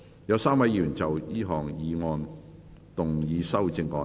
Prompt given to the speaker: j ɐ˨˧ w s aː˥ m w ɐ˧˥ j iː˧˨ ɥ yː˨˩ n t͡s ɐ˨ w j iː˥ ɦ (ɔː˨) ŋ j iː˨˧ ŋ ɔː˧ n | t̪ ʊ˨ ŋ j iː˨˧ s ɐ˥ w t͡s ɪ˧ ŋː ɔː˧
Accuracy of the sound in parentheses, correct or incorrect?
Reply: correct